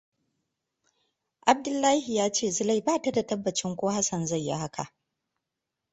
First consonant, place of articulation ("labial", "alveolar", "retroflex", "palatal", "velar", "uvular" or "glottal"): glottal